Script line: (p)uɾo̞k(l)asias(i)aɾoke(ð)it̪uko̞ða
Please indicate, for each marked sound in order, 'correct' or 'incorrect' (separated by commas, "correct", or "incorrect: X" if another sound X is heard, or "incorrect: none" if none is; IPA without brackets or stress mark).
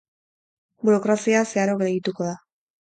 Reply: incorrect: b, incorrect: ɾ, incorrect: e, incorrect: ɣ